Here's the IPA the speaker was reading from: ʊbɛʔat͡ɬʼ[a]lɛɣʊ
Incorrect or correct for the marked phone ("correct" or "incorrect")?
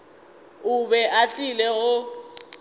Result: incorrect